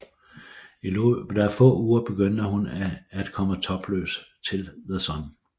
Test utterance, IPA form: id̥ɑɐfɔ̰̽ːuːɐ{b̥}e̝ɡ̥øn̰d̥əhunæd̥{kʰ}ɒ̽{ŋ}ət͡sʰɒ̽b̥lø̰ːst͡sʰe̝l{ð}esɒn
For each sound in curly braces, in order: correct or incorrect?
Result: correct, correct, incorrect: m, correct

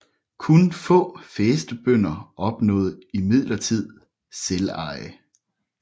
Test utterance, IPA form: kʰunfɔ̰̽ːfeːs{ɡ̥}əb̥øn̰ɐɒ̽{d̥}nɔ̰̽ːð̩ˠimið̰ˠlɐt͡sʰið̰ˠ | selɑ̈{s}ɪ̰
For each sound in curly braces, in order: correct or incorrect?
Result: incorrect: d̥, incorrect: b̥, incorrect: none

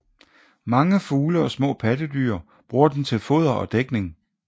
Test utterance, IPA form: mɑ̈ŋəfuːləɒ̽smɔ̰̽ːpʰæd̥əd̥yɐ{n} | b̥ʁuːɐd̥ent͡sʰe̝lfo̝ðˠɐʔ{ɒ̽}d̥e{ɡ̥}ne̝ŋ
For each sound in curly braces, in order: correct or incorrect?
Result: incorrect: none, correct, correct

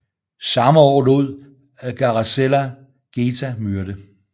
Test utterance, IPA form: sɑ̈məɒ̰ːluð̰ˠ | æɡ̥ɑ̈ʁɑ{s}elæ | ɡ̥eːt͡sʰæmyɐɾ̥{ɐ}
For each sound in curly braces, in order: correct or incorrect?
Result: correct, incorrect: ə

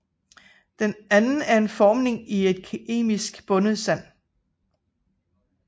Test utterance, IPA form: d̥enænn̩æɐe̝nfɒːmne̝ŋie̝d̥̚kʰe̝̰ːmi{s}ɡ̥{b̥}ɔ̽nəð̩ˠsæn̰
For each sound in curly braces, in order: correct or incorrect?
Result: correct, correct

